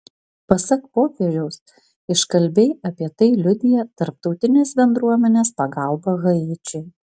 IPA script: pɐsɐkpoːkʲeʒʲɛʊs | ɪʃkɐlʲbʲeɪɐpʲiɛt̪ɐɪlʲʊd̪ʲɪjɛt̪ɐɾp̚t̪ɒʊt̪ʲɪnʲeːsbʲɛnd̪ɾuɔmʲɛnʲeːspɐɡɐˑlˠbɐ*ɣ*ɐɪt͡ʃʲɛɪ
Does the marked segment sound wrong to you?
no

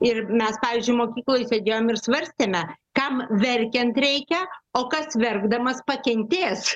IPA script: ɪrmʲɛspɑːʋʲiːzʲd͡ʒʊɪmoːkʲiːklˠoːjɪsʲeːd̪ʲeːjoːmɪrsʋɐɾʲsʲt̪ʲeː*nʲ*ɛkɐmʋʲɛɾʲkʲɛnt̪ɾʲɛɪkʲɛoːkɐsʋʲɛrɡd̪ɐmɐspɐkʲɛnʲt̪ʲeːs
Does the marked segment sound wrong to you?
yes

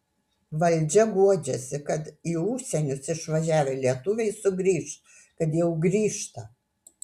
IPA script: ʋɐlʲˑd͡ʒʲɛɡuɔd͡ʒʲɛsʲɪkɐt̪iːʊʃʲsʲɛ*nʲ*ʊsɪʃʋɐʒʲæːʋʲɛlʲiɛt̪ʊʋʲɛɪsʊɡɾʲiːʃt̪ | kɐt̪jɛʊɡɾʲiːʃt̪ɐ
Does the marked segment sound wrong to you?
no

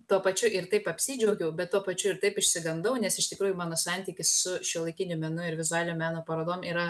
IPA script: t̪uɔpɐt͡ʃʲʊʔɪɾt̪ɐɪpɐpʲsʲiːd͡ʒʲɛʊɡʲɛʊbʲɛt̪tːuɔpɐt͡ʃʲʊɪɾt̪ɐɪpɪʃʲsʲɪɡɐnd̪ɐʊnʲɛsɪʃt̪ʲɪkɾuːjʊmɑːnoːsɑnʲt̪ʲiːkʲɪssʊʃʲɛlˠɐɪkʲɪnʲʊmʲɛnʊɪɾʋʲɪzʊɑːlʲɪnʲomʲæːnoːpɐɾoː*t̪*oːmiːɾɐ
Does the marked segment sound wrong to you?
yes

